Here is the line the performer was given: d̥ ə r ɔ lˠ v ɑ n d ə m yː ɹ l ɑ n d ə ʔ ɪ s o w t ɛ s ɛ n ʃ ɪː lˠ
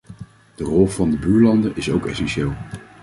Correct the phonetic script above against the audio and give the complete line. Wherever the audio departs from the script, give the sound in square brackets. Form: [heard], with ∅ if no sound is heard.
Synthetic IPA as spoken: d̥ ə r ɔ lˠ v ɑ n d ə [b] yː ɹ l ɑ n d ə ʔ ɪ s o w [k] ɛ s ɛ n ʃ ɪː lˠ